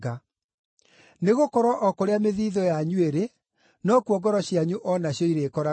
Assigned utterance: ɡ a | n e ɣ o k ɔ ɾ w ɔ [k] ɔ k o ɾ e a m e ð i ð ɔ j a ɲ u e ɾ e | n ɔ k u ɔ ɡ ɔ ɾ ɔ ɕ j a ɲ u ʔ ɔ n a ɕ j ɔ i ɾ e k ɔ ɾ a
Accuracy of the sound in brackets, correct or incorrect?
incorrect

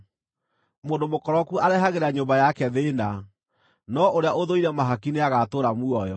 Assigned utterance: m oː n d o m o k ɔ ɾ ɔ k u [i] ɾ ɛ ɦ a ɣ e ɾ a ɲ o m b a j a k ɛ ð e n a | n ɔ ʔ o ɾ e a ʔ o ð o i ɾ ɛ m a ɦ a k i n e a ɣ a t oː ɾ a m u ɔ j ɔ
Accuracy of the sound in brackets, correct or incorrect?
incorrect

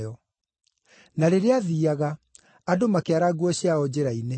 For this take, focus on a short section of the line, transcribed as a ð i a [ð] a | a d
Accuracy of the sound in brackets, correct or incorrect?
incorrect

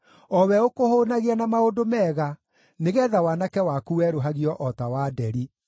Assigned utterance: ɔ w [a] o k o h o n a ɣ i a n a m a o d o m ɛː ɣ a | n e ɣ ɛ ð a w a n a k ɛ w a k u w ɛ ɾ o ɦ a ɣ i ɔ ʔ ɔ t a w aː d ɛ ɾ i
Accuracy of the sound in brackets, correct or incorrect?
incorrect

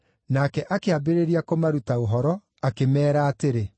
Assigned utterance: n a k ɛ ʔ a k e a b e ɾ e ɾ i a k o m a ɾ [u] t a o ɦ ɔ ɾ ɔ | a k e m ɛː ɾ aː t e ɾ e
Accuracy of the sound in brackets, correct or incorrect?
correct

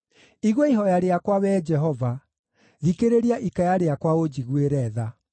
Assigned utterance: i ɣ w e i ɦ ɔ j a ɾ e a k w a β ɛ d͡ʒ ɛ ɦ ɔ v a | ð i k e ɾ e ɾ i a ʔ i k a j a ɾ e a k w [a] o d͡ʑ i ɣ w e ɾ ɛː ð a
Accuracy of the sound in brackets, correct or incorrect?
correct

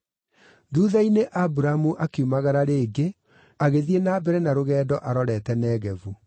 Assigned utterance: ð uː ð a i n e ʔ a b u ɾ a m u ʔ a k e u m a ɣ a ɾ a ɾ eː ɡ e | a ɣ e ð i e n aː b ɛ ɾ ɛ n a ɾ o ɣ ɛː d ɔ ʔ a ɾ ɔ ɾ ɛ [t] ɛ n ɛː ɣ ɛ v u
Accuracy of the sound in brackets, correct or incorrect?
correct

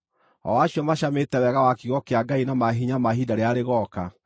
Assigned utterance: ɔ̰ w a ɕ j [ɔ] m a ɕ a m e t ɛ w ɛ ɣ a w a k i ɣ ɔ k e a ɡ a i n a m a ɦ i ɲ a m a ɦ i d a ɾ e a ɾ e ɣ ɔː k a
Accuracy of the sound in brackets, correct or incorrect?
correct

